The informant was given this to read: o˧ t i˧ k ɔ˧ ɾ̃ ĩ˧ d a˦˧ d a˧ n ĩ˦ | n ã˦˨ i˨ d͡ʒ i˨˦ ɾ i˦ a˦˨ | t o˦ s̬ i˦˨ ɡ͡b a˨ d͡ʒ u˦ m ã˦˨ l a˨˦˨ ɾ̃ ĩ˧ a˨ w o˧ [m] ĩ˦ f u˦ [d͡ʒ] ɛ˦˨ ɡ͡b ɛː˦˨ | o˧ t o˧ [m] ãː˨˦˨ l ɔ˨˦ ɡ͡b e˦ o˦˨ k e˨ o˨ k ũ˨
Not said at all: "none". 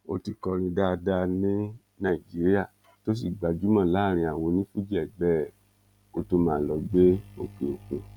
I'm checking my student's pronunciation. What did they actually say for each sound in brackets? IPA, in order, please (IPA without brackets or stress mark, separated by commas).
n, d͡ʒ, m